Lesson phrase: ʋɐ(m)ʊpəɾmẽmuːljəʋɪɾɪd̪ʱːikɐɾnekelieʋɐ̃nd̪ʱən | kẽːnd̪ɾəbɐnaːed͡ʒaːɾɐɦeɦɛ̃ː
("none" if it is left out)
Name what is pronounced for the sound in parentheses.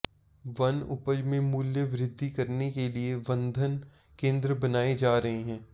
n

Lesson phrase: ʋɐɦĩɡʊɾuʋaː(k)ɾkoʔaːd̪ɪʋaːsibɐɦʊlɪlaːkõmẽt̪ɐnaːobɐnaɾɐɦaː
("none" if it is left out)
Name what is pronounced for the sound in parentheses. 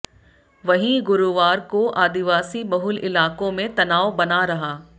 none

